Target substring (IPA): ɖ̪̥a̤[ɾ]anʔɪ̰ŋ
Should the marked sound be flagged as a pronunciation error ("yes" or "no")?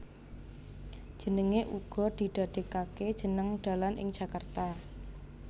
yes